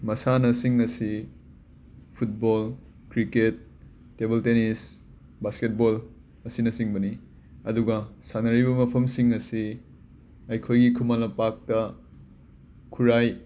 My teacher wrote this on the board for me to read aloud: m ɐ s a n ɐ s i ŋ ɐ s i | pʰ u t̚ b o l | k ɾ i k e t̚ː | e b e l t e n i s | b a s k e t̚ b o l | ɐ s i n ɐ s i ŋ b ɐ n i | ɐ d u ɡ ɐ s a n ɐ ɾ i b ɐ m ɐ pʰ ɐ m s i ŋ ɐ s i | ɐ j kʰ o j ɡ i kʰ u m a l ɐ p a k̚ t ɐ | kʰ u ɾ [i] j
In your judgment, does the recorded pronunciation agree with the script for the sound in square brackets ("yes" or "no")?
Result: no